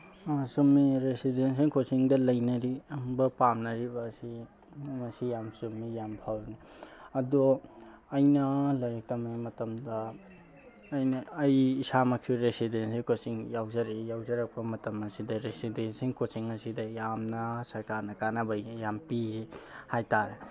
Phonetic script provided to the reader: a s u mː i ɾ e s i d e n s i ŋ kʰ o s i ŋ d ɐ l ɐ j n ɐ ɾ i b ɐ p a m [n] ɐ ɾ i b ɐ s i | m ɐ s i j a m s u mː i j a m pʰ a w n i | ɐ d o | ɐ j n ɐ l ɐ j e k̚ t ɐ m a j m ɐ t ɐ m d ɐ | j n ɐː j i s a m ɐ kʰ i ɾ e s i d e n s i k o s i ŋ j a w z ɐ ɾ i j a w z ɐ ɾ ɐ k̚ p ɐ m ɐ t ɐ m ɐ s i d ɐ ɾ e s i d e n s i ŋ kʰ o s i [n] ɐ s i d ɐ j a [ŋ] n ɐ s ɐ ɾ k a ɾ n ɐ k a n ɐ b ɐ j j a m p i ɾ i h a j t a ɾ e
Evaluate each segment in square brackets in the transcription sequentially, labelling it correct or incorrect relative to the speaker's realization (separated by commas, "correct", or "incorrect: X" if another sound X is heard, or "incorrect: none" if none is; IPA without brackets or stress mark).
correct, incorrect: ŋ, incorrect: m